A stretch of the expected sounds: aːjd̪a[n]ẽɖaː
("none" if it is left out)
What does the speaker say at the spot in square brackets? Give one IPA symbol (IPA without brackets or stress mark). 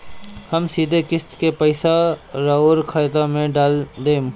m